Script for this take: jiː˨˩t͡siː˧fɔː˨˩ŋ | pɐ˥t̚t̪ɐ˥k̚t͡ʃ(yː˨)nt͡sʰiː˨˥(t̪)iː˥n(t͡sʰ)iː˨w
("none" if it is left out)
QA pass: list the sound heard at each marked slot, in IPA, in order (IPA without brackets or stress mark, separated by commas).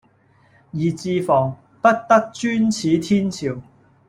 yː˥, t̪ʰ, t͡sʰ